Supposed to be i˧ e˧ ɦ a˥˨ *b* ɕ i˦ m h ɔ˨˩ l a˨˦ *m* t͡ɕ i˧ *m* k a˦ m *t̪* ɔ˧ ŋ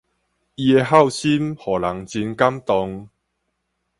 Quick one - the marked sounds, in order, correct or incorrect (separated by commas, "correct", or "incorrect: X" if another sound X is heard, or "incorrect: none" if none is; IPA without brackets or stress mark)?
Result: incorrect: w, incorrect: ŋ, incorrect: n, correct